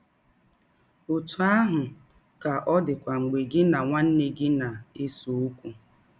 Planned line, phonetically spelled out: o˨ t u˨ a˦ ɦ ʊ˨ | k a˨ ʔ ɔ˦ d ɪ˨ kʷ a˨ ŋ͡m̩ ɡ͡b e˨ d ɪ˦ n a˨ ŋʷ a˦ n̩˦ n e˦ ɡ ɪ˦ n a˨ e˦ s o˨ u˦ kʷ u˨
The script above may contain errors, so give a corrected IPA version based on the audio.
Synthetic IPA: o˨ t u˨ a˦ ɦ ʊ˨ | k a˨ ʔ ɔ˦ d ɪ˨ kʷ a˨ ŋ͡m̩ ɡ͡b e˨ ɡ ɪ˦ n a˨ ŋʷ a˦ n̩˦ n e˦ ɡ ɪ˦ n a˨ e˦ s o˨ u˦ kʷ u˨